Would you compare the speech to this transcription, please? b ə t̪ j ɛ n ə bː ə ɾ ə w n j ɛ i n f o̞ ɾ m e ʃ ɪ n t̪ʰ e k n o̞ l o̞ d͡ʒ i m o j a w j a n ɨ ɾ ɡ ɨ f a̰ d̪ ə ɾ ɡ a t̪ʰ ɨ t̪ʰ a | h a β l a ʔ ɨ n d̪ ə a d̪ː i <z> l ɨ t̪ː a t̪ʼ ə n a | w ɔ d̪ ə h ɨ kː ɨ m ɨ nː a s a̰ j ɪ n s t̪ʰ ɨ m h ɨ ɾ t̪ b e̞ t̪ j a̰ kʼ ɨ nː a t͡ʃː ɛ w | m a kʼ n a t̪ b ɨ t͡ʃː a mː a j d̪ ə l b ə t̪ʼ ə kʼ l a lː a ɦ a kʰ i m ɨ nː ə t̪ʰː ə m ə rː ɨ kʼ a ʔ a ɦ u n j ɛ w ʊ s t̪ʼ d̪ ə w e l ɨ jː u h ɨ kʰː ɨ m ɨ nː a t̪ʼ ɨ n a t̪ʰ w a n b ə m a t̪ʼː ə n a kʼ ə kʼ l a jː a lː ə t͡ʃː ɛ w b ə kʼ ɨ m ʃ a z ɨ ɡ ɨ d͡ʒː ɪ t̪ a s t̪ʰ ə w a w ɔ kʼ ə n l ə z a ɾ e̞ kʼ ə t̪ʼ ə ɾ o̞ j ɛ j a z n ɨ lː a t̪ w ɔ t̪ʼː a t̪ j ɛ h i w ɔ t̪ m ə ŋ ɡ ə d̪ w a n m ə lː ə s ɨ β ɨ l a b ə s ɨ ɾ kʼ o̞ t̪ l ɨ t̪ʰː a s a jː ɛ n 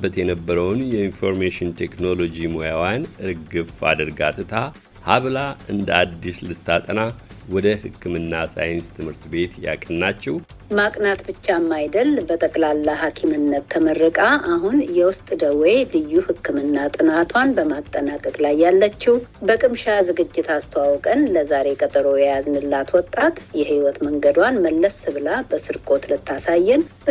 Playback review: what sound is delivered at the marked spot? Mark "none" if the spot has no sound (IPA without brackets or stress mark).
s